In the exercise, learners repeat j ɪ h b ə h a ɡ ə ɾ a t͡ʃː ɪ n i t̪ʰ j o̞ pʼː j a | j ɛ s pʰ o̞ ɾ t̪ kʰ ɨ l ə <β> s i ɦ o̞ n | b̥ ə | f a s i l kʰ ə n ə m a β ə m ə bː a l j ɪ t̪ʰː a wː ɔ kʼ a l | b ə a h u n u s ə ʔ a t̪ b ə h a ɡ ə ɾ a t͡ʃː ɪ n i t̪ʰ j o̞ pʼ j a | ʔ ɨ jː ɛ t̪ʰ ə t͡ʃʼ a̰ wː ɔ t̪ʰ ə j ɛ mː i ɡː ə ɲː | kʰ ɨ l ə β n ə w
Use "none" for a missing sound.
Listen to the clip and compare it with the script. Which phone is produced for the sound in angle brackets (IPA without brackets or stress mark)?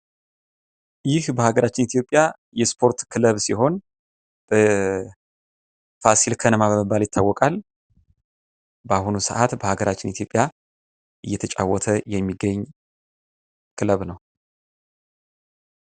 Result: β